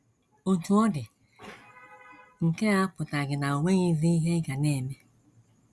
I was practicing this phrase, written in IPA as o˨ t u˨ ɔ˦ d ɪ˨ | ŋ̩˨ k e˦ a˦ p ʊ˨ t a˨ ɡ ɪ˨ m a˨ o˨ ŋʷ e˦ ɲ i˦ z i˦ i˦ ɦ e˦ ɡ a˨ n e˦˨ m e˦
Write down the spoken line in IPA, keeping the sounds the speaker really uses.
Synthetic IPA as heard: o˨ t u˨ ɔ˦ d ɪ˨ | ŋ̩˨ k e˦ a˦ p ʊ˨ t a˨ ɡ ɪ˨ n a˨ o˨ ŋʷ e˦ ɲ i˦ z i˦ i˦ ɦ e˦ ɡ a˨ n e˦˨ m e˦